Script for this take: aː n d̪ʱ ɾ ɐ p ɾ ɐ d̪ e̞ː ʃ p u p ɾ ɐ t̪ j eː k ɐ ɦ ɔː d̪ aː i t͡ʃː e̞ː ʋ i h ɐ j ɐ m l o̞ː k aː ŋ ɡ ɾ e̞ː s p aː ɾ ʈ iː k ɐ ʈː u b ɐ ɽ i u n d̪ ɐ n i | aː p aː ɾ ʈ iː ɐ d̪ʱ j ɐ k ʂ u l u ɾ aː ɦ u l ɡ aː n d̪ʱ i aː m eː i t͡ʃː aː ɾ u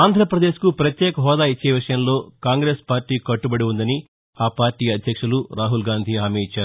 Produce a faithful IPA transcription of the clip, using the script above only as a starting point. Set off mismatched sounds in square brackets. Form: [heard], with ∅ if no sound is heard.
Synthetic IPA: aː n d̪ʱ ɾ ɐ p ɾ ɐ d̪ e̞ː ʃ [k] u p ɾ ɐ t̪ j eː k ɐ ɦ ɔː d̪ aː i t͡ʃː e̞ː ʋ i [ʂ] ɐ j ɐ m l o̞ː k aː ŋ ɡ ɾ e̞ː s p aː ɾ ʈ iː k ɐ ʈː u b ɐ ɽ i u n d̪ ɐ n i | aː p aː ɾ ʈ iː ɐ d̪ʱ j ɐ k ʂ u l u ɾ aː ɦ u l ɡ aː n d̪ʱ i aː m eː i t͡ʃː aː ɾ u